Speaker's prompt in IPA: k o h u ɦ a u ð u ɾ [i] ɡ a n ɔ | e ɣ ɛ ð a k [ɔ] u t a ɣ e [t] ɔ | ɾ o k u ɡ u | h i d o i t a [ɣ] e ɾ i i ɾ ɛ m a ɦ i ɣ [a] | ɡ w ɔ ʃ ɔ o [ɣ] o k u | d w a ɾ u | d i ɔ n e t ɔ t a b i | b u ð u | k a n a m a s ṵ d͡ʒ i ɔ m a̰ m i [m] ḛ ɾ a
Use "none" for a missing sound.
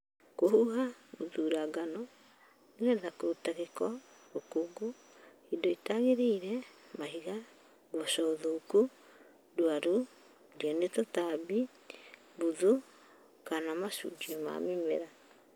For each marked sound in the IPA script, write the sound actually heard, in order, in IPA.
a, o, k, ɣ, a, ð, m

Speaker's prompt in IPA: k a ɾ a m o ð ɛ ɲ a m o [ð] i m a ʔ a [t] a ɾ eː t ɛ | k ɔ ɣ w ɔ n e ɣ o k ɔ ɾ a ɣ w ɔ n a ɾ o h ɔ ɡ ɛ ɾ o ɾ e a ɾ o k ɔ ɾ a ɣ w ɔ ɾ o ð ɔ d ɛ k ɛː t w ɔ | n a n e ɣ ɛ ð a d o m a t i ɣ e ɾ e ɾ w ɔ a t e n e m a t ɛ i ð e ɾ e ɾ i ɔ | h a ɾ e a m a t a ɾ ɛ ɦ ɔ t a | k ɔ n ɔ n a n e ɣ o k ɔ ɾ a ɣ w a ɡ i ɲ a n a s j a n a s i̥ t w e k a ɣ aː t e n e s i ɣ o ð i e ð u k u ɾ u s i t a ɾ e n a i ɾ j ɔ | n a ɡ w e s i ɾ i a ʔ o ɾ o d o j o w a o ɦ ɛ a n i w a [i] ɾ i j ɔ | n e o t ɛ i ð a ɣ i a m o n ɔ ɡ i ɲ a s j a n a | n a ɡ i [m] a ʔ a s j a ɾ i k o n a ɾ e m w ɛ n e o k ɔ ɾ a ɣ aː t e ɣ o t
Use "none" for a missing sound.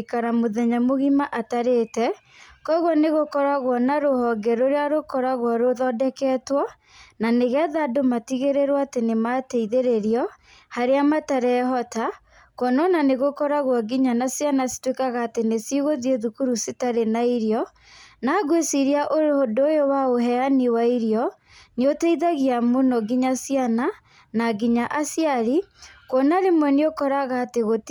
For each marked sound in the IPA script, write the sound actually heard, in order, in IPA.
ɣ, t, i, ɲ

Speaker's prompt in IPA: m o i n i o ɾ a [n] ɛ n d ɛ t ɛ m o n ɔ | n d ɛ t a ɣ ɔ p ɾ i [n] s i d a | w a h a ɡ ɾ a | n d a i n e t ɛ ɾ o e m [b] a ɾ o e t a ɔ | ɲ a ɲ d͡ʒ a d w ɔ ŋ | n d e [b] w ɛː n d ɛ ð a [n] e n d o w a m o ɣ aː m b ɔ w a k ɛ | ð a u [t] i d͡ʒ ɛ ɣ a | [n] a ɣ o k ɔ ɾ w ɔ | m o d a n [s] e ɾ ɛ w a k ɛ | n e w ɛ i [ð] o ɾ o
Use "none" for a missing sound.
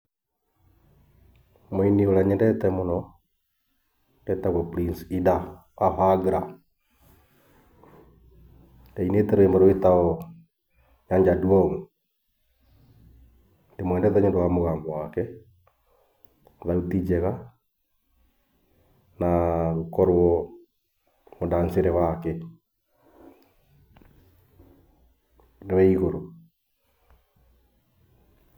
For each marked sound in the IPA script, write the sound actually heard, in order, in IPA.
ɲ, n, b, m, ɲ, t, n, s, ɣ

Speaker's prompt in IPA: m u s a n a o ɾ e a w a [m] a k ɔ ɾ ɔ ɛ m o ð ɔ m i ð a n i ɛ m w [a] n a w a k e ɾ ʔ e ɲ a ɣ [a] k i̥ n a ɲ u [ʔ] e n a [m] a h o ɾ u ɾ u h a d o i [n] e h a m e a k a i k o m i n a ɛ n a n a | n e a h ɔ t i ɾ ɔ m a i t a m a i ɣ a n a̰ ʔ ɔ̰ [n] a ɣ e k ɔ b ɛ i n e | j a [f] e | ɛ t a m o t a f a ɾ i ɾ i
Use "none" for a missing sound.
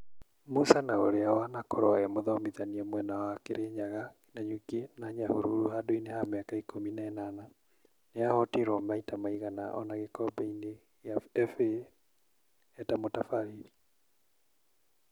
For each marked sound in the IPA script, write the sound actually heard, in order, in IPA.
n, ɛ, a, k, ɲ, n, n, f

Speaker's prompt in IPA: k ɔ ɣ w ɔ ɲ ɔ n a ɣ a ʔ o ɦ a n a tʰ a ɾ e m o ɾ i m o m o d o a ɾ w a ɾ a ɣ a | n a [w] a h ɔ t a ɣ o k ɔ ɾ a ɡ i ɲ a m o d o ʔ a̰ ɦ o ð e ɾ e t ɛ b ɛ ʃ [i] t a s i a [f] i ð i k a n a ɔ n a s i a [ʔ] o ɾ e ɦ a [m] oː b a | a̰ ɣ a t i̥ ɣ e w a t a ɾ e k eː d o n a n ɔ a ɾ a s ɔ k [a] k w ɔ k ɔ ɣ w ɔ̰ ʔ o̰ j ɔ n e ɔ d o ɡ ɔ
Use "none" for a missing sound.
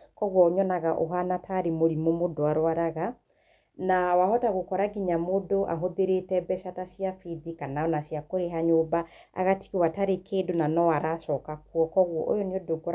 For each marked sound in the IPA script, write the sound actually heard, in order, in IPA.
w, a, f, k, ɲ, a

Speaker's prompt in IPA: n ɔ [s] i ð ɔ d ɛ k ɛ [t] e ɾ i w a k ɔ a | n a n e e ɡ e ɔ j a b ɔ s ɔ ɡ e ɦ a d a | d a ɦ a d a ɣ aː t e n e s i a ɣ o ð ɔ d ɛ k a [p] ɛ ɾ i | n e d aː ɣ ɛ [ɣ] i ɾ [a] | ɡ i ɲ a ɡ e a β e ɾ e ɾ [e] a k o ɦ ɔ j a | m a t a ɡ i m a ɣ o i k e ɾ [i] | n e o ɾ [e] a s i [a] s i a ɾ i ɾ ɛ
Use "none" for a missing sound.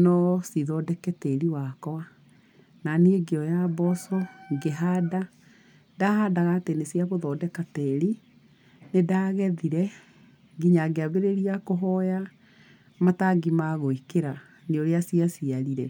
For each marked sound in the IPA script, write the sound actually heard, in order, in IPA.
s, t, t, ð, ɛ, i, a, e, a

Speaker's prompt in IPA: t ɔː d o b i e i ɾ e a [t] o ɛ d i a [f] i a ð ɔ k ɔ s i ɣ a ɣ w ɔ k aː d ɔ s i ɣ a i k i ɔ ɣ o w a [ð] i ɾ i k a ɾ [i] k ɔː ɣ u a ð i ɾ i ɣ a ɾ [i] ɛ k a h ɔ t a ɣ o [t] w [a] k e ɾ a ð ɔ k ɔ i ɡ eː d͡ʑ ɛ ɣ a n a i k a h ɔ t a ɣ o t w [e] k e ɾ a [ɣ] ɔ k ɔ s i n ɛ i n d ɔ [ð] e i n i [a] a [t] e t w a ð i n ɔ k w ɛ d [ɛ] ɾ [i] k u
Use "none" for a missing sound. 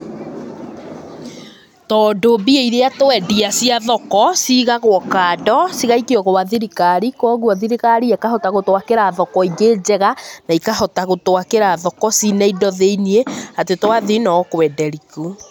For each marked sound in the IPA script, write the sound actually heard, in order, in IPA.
t, s, ð, i, i, t, a, a, ð, ð, e, t, ɛ, i

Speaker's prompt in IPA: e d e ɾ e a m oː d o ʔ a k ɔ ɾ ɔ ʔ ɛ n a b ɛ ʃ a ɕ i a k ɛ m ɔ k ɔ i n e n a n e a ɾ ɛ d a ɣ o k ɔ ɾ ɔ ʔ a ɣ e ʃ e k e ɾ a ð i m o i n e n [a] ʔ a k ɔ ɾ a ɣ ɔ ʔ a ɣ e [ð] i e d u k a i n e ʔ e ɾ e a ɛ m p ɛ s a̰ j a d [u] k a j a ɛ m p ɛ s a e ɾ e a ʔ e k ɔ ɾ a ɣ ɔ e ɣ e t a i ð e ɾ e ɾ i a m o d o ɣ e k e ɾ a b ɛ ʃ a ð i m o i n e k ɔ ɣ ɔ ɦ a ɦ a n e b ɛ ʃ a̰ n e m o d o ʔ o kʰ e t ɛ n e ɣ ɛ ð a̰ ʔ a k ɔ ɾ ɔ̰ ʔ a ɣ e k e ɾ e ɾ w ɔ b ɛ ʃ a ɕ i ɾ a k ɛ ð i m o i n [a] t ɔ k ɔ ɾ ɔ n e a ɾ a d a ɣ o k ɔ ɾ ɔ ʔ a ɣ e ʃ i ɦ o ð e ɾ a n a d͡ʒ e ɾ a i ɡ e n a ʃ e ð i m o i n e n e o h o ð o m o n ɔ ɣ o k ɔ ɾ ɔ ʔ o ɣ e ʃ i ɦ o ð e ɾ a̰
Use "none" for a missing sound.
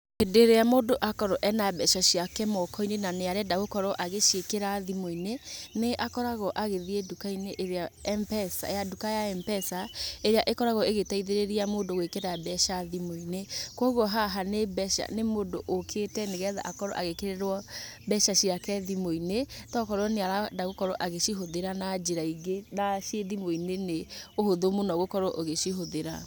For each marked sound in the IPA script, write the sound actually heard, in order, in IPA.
e, ð, u, e

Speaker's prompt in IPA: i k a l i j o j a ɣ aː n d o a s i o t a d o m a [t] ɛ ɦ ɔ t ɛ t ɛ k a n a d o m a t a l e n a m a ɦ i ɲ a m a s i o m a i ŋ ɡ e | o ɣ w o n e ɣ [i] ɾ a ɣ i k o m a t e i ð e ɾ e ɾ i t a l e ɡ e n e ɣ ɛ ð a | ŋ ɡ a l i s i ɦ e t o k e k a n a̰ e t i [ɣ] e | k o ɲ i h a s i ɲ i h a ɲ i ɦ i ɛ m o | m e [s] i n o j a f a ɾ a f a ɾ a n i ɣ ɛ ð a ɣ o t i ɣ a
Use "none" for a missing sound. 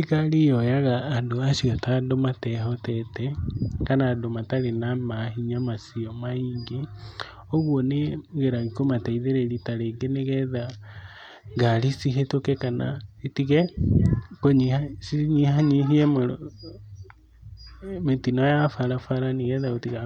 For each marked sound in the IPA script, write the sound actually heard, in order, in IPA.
t, e, ɣ, t

